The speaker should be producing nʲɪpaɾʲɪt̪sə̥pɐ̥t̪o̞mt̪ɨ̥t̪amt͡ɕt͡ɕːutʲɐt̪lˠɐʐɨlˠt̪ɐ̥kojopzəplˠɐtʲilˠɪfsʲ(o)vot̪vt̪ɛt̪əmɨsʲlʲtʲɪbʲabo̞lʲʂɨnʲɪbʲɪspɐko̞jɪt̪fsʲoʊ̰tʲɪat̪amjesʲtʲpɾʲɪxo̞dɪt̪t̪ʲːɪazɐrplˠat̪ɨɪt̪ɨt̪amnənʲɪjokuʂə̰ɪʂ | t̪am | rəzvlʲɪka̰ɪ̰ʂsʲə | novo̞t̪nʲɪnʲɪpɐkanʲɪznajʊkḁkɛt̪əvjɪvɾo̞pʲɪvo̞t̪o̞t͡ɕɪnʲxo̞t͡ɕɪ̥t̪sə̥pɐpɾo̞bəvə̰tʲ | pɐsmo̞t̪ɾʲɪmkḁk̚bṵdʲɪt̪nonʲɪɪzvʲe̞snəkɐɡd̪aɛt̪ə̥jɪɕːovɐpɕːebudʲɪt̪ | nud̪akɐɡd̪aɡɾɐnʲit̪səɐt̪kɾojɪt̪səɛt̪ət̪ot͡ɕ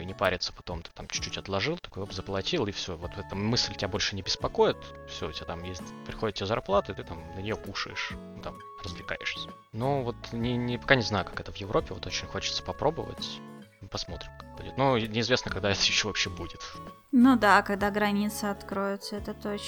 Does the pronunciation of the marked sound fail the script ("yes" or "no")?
no